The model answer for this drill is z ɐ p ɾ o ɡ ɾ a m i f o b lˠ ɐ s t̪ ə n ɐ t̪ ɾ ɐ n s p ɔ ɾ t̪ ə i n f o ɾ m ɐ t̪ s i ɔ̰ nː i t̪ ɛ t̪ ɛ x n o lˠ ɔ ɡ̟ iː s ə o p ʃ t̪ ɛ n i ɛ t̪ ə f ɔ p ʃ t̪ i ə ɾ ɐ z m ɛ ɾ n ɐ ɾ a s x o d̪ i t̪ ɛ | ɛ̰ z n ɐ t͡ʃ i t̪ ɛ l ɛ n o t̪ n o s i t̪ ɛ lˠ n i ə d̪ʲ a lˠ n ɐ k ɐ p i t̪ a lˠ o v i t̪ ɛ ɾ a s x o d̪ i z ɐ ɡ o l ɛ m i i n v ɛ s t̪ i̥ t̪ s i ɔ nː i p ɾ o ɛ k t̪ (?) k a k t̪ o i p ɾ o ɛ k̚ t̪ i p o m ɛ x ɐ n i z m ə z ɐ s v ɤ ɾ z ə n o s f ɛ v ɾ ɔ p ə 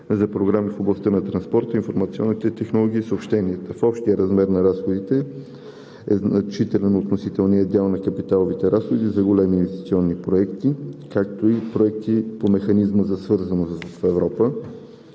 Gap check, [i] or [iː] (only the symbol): i